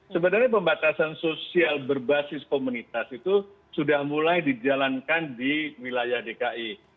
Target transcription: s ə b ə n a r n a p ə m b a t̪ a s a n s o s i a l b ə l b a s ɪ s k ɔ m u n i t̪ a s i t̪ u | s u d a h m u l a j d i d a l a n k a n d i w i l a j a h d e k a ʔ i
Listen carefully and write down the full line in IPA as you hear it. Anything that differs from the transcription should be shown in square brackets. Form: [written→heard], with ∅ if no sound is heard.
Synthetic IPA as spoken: s ə b ə n a r [n→ɲ] a p ə m b a t̪ a s a n s o s i a l b ə [l→r] b a s ɪ s k [ɔ→o] m u n i t̪ a s i t̪ u | s u d a h m u l a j d i [d→d͡ʒ] a l a n k a n d i w i l a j a h d e k a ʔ i